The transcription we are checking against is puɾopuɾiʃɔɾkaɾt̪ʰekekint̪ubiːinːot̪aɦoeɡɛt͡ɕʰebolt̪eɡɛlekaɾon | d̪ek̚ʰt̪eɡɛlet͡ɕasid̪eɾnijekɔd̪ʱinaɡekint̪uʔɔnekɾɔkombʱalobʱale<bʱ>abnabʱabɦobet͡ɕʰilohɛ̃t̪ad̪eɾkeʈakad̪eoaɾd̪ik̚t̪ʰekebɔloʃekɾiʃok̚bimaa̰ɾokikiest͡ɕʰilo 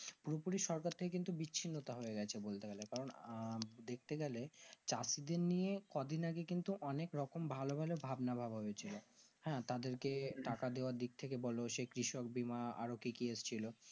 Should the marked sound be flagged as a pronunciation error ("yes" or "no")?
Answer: no